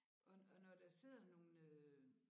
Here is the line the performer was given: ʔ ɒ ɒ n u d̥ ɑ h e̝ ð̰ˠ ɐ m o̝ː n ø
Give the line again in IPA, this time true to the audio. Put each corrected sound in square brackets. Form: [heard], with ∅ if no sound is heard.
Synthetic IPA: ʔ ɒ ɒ n [ɒ] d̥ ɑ [s] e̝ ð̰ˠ ɐ [n] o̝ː n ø

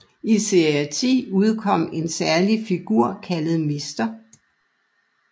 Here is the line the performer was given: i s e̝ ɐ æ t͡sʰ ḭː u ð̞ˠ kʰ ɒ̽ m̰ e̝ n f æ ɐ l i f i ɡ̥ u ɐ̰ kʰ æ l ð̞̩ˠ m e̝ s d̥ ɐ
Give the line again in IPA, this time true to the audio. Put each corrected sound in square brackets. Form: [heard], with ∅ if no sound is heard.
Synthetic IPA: i s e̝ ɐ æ t͡sʰ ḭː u ð̞ˠ kʰ ɒ̽ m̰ e̝ n [s] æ ɐ l i f i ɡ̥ u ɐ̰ kʰ æ l ð̞̩ˠ m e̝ s d̥ ɐ

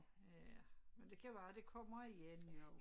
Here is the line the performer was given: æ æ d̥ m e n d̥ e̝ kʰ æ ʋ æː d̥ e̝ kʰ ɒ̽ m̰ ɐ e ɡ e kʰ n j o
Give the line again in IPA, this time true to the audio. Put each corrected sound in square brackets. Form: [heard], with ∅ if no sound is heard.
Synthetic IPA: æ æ [∅] m e n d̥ e̝ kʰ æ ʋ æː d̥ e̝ kʰ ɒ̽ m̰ ɐ [i] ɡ e [∅] n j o

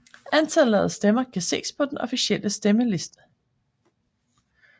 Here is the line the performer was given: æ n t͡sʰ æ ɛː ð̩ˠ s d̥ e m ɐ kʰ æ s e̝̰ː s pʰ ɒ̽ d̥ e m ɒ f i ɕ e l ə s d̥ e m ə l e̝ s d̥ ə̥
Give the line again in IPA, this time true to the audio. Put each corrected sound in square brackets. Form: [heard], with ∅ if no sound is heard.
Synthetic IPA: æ n t͡sʰ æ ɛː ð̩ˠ s d̥ e m ɐ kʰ æ s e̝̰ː s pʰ ɒ̽ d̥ e [n] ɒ f i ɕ e l ə s d̥ e m ə l e̝ s d̥ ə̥

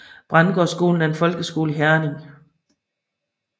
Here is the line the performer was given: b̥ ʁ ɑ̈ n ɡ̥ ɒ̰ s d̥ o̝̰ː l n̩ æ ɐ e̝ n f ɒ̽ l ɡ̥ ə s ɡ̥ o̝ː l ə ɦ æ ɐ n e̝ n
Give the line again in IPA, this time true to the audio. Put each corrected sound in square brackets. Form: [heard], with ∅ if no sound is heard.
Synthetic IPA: b̥ ʁ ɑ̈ n ɡ̥ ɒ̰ s [ɡ̥] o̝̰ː l n̩ æ ɐ e̝ n f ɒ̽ l ɡ̥ ə s ɡ̥ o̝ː l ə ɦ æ ɐ n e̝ [ŋ]

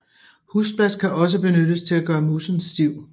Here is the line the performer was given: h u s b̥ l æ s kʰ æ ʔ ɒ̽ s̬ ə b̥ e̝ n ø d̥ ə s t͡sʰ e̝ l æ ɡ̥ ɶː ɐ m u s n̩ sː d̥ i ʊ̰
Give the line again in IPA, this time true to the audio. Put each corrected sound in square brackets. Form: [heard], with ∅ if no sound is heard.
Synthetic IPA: h u s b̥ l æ s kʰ æ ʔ ɒ̽ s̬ ə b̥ e̝ n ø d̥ ə s t͡sʰ e̝ l æ ɡ̥ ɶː ɐ m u s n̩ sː d̥ i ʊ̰

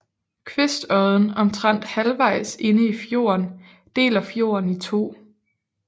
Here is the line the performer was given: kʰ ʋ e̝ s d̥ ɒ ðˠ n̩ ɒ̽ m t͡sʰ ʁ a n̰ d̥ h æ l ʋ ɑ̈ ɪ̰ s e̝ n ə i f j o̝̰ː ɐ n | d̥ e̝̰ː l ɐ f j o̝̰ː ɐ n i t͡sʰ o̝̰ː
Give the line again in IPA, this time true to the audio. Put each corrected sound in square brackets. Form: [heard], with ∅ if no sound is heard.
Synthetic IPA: kʰ ʋ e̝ s d̥ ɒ ðˠ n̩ ɒ̽ m t͡sʰ ʁ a n̰ d̥ h æ l ʋ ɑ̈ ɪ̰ s e̝ n ə i f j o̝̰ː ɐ n | d̥ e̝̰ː l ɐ f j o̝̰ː ɐ n i t͡sʰ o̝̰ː

